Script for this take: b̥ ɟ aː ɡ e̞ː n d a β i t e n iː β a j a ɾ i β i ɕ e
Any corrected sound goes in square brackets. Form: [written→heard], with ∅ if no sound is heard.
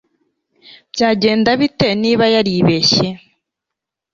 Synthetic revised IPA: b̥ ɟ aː [ɡ→ɟ] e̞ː n d a β i t e n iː β a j a ɾ i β [i→e] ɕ e